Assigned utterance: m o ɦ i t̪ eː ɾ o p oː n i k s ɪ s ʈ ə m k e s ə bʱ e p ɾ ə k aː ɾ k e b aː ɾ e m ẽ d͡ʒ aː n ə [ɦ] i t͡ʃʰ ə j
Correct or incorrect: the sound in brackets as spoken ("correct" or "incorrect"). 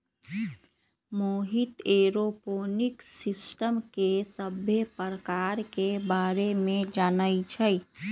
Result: incorrect